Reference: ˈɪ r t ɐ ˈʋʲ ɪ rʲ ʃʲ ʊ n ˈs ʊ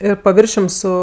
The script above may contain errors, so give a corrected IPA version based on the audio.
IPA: ˈɪ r p ɐ ˈʋʲ ɪ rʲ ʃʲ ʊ m ˈs ʊ

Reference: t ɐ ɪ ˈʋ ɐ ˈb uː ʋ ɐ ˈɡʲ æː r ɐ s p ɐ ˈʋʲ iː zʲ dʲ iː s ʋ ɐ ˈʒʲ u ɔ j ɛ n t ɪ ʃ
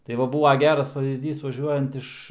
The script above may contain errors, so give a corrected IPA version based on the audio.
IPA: t ɐ ɪ ˈʋ ɐ ˈb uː ʋ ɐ ˈɡʲ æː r ɐ s p ɐ ˈʋʲ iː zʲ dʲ iː s ʋ ɐ ˈʒʲ u ɔ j ɛ n t ɪ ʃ

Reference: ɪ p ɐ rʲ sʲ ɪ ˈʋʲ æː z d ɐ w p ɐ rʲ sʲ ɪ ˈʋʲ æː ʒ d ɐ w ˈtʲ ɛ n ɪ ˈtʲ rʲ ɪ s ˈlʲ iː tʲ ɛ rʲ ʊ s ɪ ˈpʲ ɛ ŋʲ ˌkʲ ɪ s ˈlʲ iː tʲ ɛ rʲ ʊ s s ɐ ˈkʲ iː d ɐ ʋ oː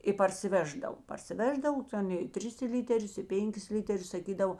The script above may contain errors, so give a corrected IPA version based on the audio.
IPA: ɪ p ɐ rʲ sʲ ɪ ˈʋʲ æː ʒ d ɐ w p ɐ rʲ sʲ ɪ ˈʋʲ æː ʒ d ɐ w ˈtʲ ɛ n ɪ ˈtʲ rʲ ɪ s ˈlʲ iː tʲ ɛ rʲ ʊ s ɪ ˈpʲ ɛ ŋʲ ˌkʲ ɪ s ˈlʲ iː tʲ ɛ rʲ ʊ s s ɐ ˈkʲ iː d ɐ ʋ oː

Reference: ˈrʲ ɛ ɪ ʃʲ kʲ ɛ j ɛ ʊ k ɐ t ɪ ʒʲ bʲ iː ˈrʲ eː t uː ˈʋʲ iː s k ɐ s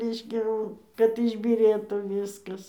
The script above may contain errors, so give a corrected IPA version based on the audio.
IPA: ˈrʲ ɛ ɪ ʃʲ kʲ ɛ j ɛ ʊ k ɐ t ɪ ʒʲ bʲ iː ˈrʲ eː t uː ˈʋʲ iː s k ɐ s

